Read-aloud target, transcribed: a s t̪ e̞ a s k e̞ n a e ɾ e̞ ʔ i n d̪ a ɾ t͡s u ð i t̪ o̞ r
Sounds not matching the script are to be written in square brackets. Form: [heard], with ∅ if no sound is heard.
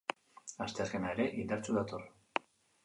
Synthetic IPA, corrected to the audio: a s t̪ e̞ a s k e̞ n a e ɾ e̞ ʔ i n d̪ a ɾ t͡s u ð [a] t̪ o̞ r

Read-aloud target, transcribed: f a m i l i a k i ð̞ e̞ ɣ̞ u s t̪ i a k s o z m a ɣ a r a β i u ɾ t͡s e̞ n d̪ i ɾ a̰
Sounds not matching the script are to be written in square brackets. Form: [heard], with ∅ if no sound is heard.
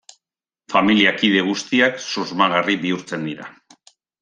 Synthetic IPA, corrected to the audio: f a m i l i a k i ð̞ e̞ ɣ̞ u s t̪ i a k s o z m a ɣ a r [i] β i u ɾ t͡s e̞ n d̪ i ɾ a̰

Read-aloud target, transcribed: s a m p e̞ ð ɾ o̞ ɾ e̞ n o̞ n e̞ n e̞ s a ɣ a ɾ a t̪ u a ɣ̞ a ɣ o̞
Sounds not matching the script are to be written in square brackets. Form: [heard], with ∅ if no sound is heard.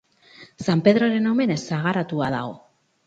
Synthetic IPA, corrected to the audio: s a m p e̞ ð ɾ o̞ ɾ e̞ n o̞ [m] e̞ n e̞ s a ɣ a ɾ a t̪ u a [ð̞] a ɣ o̞

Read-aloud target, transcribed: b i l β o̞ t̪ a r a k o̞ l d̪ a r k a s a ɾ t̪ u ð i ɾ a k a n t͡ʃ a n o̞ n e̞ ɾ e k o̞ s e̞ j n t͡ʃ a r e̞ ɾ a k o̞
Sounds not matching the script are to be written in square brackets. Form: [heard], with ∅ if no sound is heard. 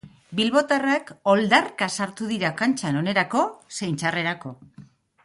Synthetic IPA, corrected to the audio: b i l β o̞ t̪ a r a k o̞ l d̪ a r k a s a ɾ t̪ u ð i ɾ a k a n t͡ʃ a n o̞ n e̞ ɾ [a] k o̞ s e̞ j n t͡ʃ a r e̞ ɾ a k o̞

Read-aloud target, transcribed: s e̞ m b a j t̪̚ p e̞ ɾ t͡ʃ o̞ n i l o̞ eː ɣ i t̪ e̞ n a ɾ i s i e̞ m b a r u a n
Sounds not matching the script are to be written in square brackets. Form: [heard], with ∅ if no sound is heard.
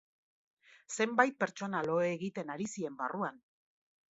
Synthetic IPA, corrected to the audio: s e̞ m b a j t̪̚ p e̞ ɾ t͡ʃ o̞ n [a] l o̞ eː ɣ i t̪ e̞ n a ɾ i s i e̞ m b a r u a n

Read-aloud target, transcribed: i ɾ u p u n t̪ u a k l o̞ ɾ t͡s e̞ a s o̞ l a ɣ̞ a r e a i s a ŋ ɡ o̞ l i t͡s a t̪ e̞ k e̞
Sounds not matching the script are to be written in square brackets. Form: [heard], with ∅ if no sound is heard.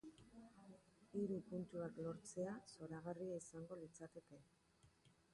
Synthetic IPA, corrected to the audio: i ɾ u p u n t̪ u a k l o̞ ɾ t͡s e̞ a s o̞ [ɾ] a ɣ̞ a r [i] a i s a ŋ ɡ o̞ l i t͡s a t̪ e̞ k e̞

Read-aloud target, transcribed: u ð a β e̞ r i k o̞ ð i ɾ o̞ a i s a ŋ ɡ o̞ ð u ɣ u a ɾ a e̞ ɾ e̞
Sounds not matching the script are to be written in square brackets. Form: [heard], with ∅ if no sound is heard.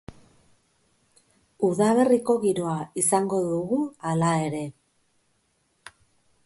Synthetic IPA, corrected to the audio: u ð a β e̞ r i k o̞ [ɣ] i ɾ o̞ a i s a ŋ ɡ o̞ ð u ɣ u a [l] a e̞ ɾ e̞

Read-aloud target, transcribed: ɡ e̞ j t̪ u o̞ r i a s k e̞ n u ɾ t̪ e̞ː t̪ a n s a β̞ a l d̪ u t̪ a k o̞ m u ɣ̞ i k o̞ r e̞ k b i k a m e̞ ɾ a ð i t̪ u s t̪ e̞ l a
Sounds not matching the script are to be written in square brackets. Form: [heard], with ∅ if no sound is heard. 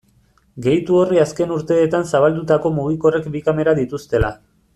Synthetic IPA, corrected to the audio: ɡ e̞ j t̪ u o̞ r i a s k e̞ n u ɾ t̪ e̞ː t̪ a n s a β̞ a l d̪ u t̪ a k o̞ m u ɣ̞ i k o̞ r e̞ k b i k a m e̞ ɾ a ð i t̪ u s t̪ e̞ l a

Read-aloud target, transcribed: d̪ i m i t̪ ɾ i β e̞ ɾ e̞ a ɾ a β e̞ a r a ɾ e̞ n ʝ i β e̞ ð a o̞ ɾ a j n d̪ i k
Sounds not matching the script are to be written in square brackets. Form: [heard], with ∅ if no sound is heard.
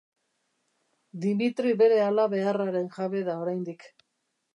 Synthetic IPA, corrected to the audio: d̪ i m i t̪ ɾ i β e̞ ɾ e̞ a [l] a β e̞ a r a ɾ e̞ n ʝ [a] β e̞ ð a o̞ ɾ a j n d̪ i k

